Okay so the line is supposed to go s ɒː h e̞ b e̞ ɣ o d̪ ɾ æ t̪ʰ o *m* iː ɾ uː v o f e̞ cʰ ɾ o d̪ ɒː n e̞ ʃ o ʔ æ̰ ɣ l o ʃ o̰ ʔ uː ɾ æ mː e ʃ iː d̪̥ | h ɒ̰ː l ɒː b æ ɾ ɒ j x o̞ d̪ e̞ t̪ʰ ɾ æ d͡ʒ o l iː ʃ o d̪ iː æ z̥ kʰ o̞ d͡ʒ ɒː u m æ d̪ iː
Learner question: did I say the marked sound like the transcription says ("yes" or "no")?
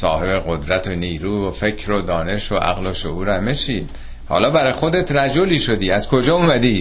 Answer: no